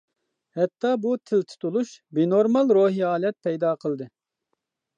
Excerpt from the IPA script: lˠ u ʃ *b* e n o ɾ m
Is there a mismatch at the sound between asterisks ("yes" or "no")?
no